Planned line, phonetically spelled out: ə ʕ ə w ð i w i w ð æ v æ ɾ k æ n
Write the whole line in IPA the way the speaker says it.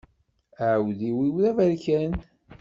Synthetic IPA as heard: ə ʕ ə w ð i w i w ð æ v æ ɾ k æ n